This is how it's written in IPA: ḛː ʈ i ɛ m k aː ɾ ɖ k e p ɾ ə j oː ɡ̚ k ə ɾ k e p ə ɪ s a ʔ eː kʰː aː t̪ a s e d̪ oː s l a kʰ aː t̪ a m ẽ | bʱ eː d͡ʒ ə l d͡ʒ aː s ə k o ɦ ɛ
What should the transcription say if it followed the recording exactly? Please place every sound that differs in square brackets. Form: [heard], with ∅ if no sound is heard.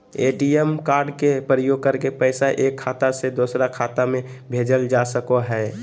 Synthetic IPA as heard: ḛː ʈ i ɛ m k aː ɾ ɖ k e p ɾ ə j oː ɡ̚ k ə ɾ k e p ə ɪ s a ʔ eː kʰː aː t̪ a s e d̪ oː s [ɾ] a kʰ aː t̪ a m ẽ | bʱ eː d͡ʒ ə l d͡ʒ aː s ə k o ɦ ɛ